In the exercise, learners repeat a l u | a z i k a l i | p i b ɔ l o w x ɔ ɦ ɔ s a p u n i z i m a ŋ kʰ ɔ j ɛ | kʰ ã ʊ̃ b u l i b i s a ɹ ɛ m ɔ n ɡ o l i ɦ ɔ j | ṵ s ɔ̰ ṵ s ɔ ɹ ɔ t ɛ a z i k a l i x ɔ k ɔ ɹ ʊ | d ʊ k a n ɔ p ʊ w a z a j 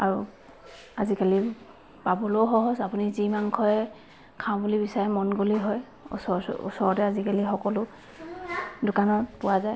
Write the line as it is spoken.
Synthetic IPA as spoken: a ɹ u | a z i k a l i | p a b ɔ l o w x ɔ ɦ ɔ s a p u n i z i m a ŋ kʰ ɔ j ɛ | kʰ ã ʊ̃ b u l i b i s a ɹ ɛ m ɔ n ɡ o l i ɦ ɔ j | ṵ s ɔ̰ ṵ s ɔ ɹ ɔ t ɛ a z i k a l i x ɔ k ɔ l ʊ | d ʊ k a n ɔ p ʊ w a z a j